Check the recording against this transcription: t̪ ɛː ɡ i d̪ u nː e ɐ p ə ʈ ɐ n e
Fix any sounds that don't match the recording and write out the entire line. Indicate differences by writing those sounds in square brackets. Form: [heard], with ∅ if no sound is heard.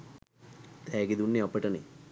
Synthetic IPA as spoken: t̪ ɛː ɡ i d̪ u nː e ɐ p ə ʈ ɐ n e